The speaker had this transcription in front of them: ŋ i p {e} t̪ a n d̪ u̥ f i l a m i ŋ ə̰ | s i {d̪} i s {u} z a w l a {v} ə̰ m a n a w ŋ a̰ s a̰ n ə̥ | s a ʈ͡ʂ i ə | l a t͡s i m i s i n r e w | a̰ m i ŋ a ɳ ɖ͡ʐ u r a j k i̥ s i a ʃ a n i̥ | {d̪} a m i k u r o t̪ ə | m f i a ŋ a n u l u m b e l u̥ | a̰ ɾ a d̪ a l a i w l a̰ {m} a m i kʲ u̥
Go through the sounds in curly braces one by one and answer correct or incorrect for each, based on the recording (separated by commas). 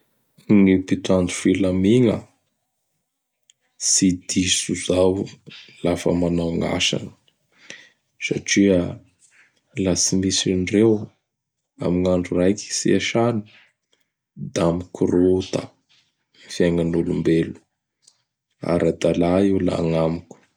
incorrect, correct, correct, incorrect, correct, incorrect